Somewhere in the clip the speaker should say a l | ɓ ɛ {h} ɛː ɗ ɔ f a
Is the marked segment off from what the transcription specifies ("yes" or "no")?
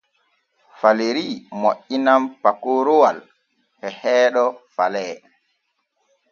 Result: no